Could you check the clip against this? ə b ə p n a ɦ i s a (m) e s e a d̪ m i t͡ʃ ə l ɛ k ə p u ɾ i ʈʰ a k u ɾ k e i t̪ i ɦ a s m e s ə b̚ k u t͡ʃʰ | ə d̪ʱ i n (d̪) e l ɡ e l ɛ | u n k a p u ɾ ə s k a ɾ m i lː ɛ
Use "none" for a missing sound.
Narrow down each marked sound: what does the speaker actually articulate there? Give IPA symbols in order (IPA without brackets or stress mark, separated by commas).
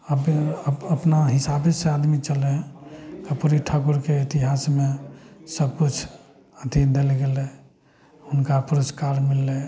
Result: b, d̪